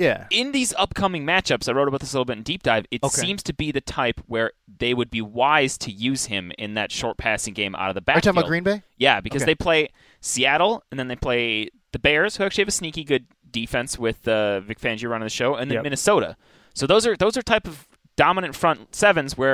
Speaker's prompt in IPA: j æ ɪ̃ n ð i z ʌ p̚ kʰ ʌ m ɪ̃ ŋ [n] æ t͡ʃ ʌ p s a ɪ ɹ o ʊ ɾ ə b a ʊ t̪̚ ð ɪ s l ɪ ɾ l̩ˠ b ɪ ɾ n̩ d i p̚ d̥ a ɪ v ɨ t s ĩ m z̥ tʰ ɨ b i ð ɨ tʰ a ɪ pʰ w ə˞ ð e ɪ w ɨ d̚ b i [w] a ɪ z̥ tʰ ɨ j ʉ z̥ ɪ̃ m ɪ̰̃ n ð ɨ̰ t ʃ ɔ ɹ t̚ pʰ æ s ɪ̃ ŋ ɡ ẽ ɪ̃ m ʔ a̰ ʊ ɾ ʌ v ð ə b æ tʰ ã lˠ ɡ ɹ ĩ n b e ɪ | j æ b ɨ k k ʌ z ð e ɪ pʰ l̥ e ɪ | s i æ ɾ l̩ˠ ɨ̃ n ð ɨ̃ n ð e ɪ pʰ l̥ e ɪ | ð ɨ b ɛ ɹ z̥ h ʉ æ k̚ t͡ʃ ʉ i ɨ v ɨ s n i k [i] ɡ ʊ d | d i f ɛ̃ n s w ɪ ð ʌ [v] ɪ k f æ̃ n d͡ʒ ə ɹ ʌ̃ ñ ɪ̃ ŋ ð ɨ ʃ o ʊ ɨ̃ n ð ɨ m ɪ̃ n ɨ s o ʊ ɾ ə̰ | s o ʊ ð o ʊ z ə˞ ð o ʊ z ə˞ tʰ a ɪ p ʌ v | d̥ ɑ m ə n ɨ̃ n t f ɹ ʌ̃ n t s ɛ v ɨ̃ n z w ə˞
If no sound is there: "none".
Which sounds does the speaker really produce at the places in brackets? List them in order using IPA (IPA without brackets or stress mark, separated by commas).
m, w, i, v